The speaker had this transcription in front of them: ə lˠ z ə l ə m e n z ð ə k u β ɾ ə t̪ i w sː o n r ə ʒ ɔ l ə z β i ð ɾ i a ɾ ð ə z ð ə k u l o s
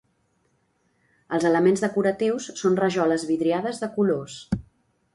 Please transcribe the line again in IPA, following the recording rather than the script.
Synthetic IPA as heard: ə lˠ z ə l ə m e n z ð ə k u ɾ ə t̪ i w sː o n r ə ʒ ɔ l ə z β i ð ɾ i a ð ə z ð ə k u l o s